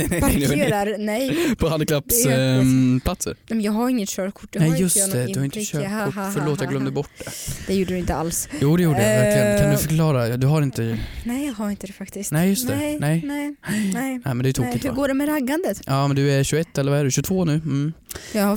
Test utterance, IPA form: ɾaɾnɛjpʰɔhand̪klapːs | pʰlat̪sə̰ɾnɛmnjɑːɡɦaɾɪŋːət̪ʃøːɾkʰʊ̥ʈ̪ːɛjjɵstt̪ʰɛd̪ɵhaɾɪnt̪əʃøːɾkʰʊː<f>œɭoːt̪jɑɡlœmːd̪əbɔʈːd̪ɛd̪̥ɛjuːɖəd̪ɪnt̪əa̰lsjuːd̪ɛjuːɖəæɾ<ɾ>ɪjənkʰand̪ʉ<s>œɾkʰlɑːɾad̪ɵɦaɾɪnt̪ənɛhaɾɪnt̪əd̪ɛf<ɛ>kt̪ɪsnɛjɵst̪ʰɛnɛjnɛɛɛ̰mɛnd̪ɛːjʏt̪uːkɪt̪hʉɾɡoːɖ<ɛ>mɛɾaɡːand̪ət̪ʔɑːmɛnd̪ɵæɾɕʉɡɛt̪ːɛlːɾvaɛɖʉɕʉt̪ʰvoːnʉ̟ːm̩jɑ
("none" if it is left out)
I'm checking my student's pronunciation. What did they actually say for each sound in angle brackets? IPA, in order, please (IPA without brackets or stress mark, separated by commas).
f, l, f, a, ɛ